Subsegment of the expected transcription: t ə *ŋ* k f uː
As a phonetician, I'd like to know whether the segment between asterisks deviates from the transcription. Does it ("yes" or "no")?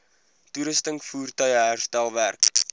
no